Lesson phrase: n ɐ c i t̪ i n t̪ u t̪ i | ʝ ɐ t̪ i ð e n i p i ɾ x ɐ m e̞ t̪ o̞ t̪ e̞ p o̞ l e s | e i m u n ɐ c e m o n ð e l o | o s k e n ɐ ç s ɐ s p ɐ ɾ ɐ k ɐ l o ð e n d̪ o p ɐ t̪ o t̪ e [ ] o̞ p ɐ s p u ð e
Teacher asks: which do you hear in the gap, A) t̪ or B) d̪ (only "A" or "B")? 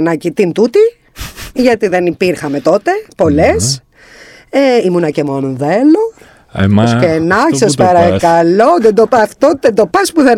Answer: B